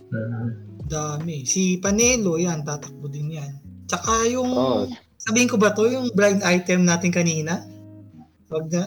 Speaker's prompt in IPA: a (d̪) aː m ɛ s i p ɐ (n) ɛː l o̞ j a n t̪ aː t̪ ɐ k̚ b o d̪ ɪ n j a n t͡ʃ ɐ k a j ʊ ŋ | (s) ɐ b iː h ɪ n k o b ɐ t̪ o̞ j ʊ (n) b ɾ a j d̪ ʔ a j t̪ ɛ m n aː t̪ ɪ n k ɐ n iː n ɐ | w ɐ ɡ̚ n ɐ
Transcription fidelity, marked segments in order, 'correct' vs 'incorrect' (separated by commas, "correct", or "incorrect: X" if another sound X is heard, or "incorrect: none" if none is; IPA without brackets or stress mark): correct, correct, correct, incorrect: ŋ